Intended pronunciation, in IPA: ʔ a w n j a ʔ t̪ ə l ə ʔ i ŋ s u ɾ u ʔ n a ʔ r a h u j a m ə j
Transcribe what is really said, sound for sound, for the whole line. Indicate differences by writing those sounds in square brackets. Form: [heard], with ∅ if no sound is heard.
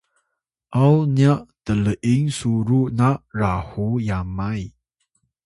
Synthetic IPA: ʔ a w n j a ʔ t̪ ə l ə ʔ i ŋ s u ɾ u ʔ n a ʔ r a h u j a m [a] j